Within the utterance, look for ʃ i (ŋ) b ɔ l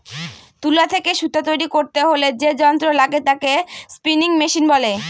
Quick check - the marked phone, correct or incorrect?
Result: incorrect